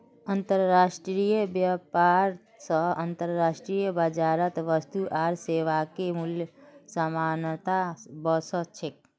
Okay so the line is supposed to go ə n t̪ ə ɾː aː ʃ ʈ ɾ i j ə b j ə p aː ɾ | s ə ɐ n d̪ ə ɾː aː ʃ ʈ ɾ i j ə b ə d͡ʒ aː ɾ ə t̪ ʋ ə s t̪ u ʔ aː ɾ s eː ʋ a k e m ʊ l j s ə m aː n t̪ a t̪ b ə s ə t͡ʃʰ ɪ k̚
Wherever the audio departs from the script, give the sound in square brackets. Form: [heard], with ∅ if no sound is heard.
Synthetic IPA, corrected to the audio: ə n t̪ ə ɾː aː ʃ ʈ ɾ i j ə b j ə p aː ɾ | s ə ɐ n [t̪] ə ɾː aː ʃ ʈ ɾ i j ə b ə d͡ʒ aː ɾ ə t̪ ʋ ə s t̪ u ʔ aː ɾ s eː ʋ a k e m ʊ l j s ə m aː n t̪ a [∅] b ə s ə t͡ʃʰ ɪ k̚